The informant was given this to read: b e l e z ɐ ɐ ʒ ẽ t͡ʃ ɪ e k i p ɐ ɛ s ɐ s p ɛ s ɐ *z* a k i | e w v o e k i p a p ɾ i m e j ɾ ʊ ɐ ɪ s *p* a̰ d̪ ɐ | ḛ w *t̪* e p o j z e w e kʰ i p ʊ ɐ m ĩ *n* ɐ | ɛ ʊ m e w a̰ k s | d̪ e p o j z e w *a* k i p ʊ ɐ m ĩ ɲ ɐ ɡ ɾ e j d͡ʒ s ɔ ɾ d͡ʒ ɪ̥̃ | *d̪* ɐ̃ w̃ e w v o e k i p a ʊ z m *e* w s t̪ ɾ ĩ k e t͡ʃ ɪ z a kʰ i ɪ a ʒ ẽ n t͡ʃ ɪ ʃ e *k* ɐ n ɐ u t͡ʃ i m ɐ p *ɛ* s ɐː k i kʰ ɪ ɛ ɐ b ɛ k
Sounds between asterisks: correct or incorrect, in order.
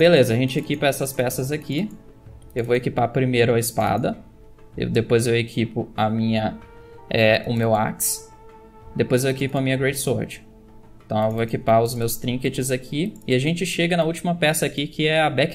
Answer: correct, correct, incorrect, incorrect, incorrect, incorrect, correct, incorrect, correct

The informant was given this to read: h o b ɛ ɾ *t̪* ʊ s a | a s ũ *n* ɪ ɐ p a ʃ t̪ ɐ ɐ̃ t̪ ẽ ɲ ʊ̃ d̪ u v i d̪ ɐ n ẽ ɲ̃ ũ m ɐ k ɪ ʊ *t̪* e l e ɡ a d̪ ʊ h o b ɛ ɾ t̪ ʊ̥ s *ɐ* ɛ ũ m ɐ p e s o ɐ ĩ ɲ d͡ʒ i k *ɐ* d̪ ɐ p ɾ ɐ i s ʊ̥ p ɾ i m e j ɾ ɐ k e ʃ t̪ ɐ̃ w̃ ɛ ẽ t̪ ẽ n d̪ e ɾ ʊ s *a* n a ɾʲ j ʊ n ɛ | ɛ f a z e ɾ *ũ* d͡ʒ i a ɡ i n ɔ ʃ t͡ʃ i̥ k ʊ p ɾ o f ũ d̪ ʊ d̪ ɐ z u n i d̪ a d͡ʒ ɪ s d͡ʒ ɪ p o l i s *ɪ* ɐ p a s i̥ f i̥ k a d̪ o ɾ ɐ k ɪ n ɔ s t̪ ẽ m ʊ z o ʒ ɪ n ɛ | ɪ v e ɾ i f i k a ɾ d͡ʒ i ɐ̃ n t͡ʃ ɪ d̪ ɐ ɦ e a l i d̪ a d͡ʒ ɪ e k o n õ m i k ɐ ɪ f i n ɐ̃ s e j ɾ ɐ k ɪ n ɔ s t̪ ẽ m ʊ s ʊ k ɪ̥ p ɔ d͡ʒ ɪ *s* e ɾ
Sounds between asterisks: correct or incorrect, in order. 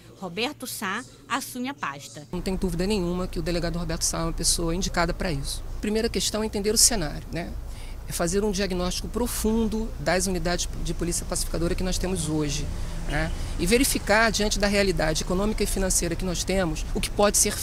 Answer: correct, incorrect, incorrect, incorrect, incorrect, incorrect, correct, incorrect, correct

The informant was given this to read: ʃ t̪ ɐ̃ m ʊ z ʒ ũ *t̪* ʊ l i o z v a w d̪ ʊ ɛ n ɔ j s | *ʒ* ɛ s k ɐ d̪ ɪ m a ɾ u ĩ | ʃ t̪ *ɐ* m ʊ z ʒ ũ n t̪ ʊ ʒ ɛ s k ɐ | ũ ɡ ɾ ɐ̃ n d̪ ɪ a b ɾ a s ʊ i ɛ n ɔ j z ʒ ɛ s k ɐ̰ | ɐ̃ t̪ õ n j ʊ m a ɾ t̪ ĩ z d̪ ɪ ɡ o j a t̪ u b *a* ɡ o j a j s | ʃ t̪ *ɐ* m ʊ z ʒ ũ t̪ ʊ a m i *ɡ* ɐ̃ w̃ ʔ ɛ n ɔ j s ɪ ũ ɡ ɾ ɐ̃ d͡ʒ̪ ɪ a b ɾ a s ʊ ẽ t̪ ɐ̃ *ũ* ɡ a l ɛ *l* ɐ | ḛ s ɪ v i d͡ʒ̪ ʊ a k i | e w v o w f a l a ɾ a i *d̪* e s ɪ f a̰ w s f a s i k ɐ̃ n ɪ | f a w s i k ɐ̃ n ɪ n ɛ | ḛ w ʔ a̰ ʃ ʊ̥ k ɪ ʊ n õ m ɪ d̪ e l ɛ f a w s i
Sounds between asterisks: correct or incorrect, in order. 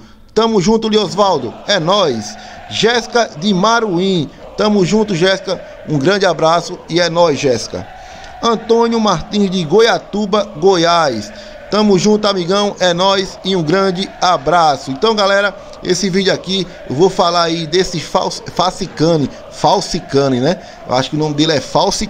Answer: correct, correct, incorrect, incorrect, incorrect, correct, incorrect, incorrect, correct

